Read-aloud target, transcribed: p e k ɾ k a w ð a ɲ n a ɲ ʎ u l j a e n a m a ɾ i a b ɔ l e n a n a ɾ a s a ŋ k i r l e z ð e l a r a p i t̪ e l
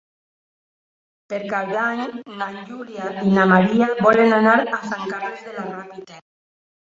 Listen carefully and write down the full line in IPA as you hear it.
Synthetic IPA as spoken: p e ɾ k a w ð a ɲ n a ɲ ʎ u l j a i n a m a ɾ i a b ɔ l e n a n a ɾ a s a ŋ k a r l e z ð e l a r a p i t̪ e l